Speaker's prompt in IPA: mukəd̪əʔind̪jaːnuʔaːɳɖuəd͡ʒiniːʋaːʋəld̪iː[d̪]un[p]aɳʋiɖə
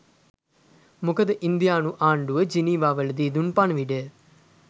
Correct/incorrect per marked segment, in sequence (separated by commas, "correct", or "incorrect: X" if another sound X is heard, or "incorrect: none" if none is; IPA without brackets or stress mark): correct, correct